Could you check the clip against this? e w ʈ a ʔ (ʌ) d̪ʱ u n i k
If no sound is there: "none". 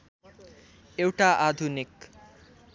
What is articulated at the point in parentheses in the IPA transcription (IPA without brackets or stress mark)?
a